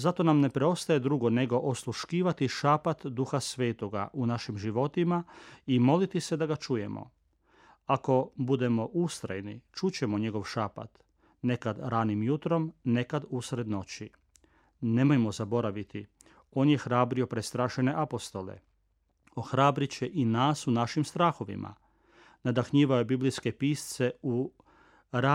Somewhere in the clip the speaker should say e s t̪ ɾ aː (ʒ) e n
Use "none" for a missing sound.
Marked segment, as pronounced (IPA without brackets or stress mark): ʃ